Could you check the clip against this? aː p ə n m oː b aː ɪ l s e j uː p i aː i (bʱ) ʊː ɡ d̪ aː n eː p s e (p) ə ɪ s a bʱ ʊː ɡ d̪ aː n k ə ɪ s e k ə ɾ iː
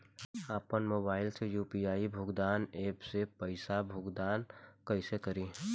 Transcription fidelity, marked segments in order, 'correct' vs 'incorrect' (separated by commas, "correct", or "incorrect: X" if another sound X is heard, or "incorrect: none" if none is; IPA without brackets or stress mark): correct, correct